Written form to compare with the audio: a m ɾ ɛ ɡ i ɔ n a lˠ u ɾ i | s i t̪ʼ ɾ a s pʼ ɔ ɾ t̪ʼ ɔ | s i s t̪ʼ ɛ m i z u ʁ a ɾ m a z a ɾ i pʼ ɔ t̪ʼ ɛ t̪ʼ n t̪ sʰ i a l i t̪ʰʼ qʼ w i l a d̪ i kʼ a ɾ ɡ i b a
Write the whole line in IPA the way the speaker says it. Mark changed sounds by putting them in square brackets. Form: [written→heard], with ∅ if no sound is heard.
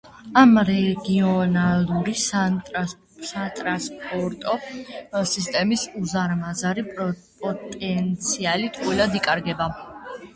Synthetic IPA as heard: a m ɾ ɛ ɡ i ɔ n a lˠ u ɾ i | s [i→a] t̪ʼ ɾ a s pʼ ɔ ɾ t̪ʼ ɔ | s i s t̪ʼ ɛ m i [z→s] u [ʁ→z] a ɾ m a z a ɾ i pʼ ɔ t̪ʼ ɛ [t̪ʼ→∅] n t̪ sʰ i a l i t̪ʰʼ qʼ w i l a d̪ i kʼ a ɾ ɡ [i→ɛ] b a